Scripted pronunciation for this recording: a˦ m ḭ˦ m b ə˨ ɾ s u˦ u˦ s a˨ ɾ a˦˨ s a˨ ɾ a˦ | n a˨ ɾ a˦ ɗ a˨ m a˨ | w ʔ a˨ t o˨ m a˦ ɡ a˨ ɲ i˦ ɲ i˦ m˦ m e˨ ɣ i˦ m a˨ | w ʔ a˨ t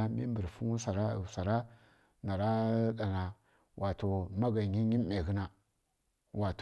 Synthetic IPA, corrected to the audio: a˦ m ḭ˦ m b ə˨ ɾ f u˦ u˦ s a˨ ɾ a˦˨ s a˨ ɾ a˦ | n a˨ ɾ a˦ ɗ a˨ n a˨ | w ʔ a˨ t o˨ m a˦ ɡ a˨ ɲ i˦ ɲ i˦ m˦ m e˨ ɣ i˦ n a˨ | w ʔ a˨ t